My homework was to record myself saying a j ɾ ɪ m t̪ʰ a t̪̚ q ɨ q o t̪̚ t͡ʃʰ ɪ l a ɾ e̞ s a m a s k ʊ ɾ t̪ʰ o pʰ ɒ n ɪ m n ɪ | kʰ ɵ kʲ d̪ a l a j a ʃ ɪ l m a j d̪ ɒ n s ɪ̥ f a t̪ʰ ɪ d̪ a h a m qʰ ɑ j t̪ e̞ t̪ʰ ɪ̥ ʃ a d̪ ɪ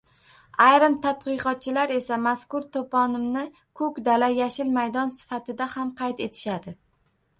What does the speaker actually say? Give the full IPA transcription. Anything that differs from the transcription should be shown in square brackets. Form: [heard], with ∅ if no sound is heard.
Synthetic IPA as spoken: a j ɾ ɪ m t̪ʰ a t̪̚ q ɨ q [ɒ] t̪̚ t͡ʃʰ ɪ l a ɾ e̞ s a m a s k ʊ ɾ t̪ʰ o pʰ ɒ n ɪ m n ɪ | kʰ ɵ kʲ d̪ a l a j a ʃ ɪ l m a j d̪ ɒ n s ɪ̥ f a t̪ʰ ɪ d̪ a h a m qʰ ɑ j t̪ e̞ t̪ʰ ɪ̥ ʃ a d̪ ɪ